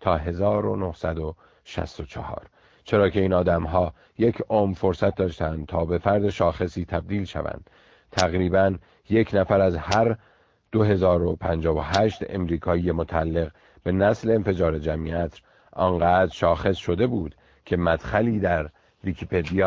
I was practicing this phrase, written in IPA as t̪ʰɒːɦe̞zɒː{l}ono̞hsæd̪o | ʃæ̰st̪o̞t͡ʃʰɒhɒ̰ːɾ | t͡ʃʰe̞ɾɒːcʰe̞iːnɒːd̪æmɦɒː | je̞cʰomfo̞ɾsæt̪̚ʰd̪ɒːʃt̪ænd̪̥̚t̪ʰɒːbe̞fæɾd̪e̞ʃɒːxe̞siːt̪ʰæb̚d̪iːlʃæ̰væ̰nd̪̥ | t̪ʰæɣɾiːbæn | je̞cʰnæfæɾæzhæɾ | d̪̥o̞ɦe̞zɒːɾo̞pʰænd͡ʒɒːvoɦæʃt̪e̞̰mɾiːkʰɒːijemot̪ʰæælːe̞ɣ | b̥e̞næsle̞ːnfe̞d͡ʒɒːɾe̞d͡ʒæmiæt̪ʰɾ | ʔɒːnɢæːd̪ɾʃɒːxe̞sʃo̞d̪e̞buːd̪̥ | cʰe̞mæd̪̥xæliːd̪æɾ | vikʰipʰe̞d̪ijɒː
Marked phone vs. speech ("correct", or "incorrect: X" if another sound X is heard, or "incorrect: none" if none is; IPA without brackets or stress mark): incorrect: ɾ